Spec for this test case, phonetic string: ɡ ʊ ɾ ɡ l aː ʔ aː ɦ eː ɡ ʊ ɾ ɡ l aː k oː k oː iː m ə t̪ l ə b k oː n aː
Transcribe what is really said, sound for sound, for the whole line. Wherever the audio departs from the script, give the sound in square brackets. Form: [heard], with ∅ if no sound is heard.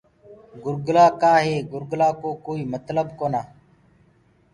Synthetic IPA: ɡ ʊ ɾ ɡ l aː [k] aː ɦ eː ɡ ʊ ɾ ɡ l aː k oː k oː iː m ə t̪ l ə b k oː n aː